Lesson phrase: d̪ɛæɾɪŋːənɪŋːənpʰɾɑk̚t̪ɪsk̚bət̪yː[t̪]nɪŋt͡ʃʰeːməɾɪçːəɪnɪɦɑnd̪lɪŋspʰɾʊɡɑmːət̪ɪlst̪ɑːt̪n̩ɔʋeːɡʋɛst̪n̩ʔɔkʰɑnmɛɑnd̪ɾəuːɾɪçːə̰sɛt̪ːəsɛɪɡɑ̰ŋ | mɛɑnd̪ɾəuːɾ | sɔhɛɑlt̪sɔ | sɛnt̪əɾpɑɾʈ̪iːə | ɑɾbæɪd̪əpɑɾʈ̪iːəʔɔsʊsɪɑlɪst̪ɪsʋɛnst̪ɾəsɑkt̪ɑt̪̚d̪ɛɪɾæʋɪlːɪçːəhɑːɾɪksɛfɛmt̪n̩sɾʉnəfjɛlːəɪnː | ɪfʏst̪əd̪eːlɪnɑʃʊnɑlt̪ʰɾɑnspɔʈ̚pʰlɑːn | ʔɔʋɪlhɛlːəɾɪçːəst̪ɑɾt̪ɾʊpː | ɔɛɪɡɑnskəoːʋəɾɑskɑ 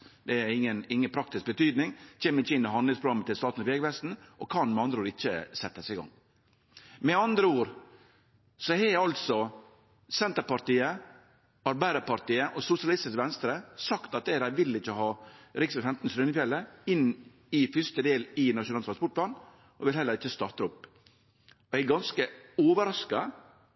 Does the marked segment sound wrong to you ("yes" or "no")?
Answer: yes